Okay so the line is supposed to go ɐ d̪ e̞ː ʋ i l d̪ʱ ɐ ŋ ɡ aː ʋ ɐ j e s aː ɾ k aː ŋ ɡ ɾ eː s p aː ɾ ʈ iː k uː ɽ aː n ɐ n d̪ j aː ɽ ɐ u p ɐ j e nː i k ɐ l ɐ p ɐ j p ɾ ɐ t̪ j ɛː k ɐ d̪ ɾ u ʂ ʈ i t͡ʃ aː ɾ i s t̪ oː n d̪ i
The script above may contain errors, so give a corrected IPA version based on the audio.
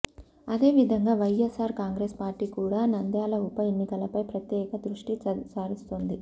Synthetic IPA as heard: ɐ d̪ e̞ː ʋ i d̪ʱ ɐ ŋ ɡ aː ʋ ɐ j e s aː ɾ k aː ŋ ɡ ɾ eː s p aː ɾ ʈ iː k uː ɽ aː n ɐ n d̪ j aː l ɐ u p ɐ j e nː i k ɐ l ɐ p ɐ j p ɾ ɐ t̪ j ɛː k ɐ d̪ ɾ u ʂ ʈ i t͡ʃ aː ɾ i s t̪ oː n d̪ i